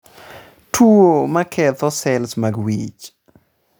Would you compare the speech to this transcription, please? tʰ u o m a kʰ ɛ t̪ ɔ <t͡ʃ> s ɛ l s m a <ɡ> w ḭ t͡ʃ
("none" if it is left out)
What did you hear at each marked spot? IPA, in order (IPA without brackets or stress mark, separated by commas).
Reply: none, ɡ